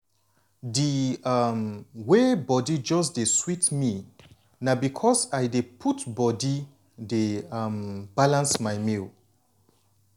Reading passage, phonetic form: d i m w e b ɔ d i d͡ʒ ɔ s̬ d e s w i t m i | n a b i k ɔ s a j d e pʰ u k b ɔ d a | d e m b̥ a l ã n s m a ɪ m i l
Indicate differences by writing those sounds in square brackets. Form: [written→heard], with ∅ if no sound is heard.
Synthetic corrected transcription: d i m w e b ɔ d i d͡ʒ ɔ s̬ d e s w i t m i | n a b i [k→kʰ] ɔ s a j d e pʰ u [k→t] b ɔ d [a→i] | d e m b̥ a l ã n s m a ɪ m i l